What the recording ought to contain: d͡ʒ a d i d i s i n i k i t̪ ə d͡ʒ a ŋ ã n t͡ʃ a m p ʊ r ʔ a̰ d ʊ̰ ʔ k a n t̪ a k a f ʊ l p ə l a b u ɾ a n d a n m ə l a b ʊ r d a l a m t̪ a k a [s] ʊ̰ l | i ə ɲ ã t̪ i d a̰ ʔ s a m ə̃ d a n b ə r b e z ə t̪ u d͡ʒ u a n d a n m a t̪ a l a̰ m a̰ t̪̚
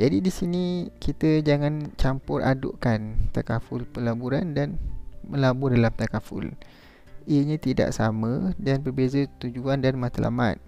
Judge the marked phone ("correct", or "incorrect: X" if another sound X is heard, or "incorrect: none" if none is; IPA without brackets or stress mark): incorrect: f